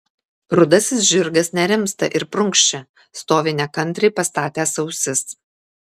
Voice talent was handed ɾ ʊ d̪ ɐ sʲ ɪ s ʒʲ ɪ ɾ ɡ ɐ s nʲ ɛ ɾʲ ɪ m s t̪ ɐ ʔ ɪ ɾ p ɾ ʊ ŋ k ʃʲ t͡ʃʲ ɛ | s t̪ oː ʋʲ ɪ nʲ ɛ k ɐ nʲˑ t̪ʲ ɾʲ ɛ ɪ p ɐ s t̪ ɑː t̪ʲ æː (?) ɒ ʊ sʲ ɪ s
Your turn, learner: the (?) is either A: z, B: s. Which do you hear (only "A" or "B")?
B